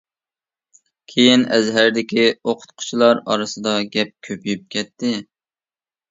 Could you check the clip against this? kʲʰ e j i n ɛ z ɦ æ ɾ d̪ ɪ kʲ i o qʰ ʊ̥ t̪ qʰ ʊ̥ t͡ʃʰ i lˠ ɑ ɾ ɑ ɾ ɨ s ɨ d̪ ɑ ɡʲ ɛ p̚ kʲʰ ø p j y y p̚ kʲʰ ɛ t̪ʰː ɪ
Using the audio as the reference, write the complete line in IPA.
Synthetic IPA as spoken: kʲʰ e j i n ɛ z ɦ æ ɾ d̪ ɪ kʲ i o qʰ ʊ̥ t̪ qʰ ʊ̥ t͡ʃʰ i lˠ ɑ ɾ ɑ ɾ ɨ s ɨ d̪ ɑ ɡʲ ɛ p̚ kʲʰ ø p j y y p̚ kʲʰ ɛ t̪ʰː ɪ